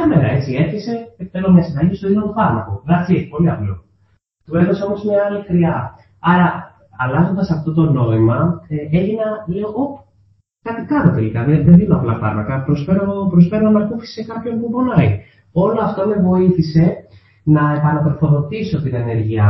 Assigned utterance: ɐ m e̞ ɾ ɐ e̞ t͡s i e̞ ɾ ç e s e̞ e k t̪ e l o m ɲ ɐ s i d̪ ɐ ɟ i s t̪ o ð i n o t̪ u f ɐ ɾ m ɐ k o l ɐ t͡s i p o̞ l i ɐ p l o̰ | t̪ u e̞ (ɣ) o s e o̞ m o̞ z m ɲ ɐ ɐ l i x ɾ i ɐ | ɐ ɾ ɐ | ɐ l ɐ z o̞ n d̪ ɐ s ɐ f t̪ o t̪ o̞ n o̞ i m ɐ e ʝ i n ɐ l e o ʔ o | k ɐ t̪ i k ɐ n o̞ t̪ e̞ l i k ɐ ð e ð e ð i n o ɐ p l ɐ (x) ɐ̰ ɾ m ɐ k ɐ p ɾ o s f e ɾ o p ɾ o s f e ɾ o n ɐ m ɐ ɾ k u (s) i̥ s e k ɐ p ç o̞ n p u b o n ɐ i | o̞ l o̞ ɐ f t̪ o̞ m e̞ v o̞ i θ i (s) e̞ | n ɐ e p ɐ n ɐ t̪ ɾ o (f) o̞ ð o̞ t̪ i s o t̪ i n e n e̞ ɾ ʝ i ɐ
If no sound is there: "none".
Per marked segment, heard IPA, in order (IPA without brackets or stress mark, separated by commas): ð, f, f, s, f